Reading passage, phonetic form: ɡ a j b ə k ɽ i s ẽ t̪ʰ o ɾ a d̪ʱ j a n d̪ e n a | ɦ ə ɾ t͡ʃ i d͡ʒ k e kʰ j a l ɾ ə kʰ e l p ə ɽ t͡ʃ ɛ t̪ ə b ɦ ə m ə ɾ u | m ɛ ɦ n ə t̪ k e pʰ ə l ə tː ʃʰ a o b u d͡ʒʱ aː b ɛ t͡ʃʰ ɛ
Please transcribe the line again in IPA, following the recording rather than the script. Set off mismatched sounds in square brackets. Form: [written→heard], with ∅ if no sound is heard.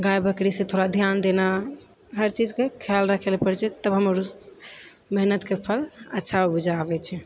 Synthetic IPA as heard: ɡ a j b ə k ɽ i s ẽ t̪ʰ o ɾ a d̪ʱ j a n d̪ e n a | ɦ ə ɾ t͡ʃ i d͡ʒ k e kʰ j a l ɾ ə kʰ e l p ə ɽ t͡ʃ ɛ t̪ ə b ɦ ə m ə ɾ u | m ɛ ɦ n ə t̪ k e pʰ ə l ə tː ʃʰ a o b u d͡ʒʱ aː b ɛ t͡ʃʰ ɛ